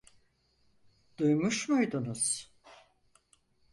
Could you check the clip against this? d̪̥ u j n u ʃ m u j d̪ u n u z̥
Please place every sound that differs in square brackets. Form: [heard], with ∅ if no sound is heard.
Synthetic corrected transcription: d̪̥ u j [m] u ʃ m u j d̪ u n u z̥

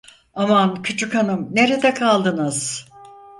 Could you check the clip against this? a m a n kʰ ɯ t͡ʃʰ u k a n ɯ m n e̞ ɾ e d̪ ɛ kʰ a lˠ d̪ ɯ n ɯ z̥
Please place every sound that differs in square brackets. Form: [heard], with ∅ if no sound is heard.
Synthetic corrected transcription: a m a n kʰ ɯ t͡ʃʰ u k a n ɯ m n e̞ ɾ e d̪ ɛ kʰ a lˠ d̪ ɯ n ɯ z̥

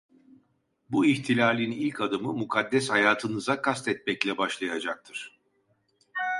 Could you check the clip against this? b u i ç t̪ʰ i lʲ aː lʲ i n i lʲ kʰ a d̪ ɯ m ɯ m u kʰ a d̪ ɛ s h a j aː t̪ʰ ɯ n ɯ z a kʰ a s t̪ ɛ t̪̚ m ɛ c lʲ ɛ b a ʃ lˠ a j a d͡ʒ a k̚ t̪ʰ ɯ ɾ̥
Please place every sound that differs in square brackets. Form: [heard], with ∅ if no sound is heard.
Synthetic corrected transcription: b u i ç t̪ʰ i lʲ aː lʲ i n i lʲ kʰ a d̪ ɯ m ɯ m u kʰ a [d̪ː] ɛ s h a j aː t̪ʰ ɯ n ɯ z a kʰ a s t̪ ɛ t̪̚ m ɛ c lʲ ɛ b a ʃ lˠ a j a d͡ʒ a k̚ t̪ʰ ɯ ɾ̥

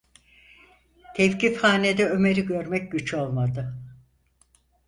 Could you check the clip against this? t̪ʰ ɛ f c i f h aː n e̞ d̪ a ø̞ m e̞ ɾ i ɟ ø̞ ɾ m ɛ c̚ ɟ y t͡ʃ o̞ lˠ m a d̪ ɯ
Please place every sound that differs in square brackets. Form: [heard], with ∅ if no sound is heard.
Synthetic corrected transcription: t̪ʰ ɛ f c i f h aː n e̞ d̪ [ɛ] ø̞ m e̞ ɾ i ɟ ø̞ ɾ m ɛ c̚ ɟ y t͡ʃ o̞ lˠ m a d̪ ɯ

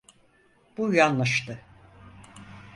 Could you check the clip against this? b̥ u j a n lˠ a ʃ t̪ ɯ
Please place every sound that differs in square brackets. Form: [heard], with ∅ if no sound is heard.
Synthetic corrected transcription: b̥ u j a n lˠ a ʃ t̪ ɯ

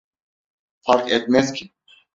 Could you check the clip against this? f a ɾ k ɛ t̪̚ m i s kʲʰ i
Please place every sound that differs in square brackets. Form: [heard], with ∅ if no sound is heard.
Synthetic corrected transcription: f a ɾ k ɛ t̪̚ m [ɛ] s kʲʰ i

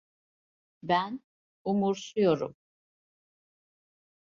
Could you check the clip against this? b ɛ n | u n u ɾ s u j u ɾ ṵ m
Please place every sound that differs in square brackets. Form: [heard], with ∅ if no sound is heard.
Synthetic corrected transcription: b [æ] n | u [m] u ɾ s u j [o] ɾ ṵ m

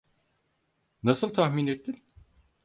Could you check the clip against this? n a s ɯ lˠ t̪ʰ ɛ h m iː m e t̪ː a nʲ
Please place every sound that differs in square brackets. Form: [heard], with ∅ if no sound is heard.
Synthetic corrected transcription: n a s ɯ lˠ t̪ʰ [a] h m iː [n] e t̪ː [i] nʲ

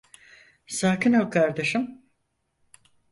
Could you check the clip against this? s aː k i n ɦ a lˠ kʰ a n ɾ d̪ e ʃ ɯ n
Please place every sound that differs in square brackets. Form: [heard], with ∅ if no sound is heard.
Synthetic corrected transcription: s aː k i n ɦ a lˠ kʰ a [∅] ɾ d̪ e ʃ ɯ [m]

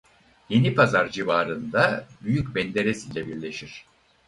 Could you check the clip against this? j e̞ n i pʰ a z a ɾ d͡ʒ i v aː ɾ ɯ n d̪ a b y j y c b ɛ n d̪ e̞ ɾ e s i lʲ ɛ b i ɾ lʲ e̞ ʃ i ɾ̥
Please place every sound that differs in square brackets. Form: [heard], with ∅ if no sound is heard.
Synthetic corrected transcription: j e̞ n i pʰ a z a ɾ d͡ʒ i v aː ɾ ɯ n d̪ a b y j y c b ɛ n d̪ e̞ ɾ e s i lʲ ɛ b i ɾ lʲ e̞ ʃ i ɾ̥

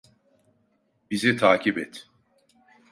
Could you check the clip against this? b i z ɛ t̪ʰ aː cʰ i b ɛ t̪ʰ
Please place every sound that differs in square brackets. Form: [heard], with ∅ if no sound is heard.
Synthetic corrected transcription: b i z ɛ t̪ʰ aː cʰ i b ɛ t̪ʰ

